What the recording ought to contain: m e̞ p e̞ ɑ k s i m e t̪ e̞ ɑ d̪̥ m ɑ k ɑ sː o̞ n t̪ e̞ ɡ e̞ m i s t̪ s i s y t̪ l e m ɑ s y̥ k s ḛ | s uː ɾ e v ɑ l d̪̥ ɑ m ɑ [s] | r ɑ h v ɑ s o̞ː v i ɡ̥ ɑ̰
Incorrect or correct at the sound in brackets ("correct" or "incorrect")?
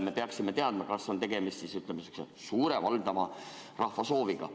incorrect